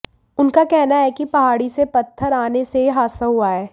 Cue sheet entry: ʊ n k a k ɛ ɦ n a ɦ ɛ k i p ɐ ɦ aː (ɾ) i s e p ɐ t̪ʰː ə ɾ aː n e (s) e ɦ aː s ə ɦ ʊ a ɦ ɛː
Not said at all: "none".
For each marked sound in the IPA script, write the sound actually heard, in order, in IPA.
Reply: ɽ, s

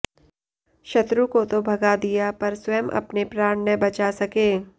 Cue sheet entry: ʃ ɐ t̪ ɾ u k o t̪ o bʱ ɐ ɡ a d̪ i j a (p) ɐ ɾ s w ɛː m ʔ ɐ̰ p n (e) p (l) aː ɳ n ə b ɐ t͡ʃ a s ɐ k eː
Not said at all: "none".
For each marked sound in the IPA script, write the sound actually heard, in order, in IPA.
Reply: p, e, ɾ

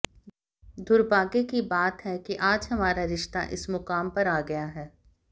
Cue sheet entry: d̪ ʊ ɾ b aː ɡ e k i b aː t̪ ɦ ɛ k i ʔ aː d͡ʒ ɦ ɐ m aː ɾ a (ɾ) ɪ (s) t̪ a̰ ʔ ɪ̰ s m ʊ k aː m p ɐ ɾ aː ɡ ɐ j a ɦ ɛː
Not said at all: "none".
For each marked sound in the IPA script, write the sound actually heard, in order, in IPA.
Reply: ɾ, ʃ

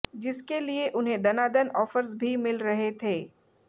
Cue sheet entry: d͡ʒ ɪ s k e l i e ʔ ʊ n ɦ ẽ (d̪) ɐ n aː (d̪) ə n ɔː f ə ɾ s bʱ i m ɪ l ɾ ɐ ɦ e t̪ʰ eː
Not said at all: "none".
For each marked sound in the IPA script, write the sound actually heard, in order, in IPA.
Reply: d̪, d̪

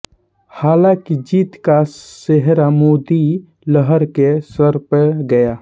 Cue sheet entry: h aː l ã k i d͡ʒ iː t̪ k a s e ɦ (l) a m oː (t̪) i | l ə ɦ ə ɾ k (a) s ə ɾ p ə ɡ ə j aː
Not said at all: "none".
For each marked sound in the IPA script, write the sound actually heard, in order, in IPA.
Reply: ɾ, d̪, e

